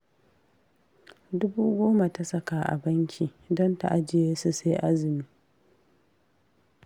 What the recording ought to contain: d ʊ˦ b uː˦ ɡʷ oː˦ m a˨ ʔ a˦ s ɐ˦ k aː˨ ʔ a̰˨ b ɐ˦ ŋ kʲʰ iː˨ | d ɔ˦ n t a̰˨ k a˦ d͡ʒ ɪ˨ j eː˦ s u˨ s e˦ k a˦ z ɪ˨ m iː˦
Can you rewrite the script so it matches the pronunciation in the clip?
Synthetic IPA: d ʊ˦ b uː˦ ɡʷ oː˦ m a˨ t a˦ s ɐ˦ k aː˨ ʔ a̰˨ b ɐ˦ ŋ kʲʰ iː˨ | d ɔ˦ n t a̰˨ ʔ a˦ d͡ʒ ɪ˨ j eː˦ s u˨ s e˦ ʔ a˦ z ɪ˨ m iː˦